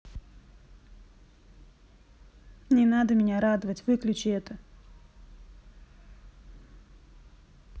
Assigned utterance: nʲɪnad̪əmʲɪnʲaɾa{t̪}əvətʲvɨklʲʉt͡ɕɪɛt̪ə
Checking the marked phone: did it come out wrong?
yes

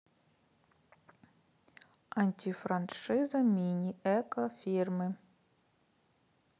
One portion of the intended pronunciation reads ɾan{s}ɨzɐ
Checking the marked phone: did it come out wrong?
yes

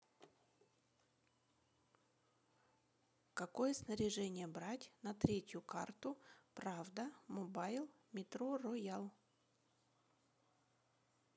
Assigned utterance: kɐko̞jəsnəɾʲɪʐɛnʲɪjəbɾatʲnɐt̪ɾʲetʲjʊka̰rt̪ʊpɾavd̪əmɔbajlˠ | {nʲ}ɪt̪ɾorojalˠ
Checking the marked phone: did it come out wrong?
yes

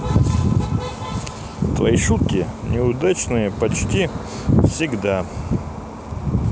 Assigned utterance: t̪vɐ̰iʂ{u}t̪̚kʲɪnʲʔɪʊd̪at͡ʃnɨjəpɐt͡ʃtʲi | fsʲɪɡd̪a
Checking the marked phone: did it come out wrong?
no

